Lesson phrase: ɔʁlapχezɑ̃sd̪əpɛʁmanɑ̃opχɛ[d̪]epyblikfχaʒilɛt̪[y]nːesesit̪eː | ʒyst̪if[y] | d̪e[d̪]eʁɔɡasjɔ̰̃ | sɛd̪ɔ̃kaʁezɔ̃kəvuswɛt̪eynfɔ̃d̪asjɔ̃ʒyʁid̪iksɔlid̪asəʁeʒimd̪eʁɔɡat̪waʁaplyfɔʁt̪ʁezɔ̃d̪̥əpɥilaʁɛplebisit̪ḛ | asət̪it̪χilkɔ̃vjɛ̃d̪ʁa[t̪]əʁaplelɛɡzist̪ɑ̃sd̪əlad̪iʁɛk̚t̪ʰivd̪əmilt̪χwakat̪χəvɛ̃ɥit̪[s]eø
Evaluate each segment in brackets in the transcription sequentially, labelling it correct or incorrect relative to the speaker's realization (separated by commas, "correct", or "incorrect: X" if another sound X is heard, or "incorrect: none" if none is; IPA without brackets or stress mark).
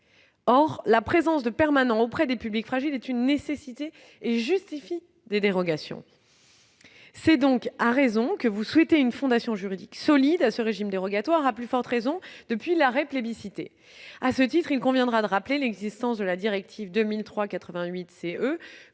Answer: correct, correct, incorrect: i, correct, incorrect: d̪, correct